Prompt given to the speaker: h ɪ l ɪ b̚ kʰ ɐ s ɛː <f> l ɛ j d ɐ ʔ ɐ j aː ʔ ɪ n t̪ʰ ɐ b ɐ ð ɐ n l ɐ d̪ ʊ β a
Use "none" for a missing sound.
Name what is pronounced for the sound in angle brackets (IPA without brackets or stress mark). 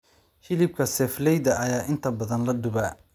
f